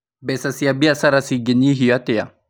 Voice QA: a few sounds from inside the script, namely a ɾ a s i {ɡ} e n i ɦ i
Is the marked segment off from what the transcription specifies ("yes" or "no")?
no